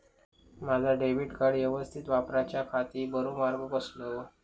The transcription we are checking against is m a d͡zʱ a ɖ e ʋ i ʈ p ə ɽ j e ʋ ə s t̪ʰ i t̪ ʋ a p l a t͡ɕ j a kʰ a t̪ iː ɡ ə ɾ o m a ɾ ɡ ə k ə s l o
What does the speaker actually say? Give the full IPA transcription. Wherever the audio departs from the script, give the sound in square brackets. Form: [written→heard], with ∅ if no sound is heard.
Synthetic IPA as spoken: m a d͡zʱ a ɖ e ʋ i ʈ [p→k] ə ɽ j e ʋ ə s t̪ʰ i t̪ ʋ a p [l→ɾ] a t͡ɕ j a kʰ a t̪ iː [ɡ→b] ə ɾ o m a ɾ ɡ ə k ə s l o